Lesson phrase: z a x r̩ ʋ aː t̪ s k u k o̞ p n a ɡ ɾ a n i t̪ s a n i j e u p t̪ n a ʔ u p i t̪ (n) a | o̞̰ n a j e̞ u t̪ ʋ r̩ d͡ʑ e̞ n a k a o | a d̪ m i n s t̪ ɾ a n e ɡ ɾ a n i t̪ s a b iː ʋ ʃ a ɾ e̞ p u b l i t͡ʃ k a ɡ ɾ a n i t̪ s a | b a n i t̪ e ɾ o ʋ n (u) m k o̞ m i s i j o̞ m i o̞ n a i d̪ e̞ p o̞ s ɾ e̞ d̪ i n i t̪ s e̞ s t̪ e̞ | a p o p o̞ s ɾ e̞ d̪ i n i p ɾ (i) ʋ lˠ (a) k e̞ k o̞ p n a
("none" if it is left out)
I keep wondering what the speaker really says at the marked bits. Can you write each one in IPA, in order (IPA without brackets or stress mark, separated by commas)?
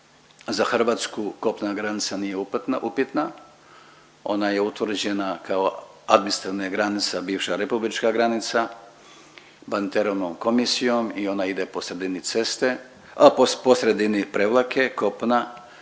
n, o, e, a